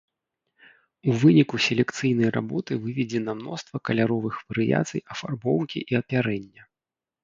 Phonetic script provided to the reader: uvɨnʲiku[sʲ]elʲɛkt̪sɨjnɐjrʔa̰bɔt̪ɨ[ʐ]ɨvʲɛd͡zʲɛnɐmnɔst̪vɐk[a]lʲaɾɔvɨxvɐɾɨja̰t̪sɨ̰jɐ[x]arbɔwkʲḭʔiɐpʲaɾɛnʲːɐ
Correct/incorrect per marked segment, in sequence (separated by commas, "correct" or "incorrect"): correct, incorrect, incorrect, incorrect